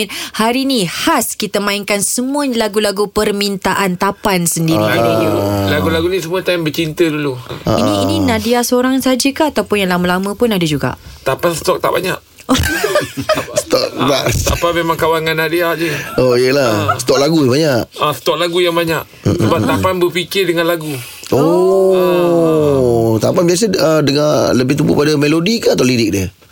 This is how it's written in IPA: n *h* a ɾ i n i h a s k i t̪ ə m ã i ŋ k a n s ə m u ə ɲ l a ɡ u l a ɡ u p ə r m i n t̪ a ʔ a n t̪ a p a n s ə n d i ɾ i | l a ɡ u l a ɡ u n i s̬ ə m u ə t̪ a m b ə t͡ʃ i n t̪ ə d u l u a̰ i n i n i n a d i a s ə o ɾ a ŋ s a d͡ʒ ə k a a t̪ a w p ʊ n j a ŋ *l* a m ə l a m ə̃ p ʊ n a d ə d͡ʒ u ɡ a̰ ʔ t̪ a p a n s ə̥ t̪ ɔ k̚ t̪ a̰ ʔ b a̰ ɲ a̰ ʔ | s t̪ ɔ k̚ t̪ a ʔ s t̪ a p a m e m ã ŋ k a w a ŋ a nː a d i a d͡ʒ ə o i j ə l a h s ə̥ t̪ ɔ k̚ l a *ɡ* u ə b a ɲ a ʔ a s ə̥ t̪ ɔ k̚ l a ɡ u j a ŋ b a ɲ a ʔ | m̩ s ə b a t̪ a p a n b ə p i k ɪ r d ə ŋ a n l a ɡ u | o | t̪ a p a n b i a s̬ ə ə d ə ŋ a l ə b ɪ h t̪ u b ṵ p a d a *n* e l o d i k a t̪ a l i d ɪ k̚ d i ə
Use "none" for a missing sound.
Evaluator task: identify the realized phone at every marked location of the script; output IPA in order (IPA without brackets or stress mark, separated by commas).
h, l, ɡ, m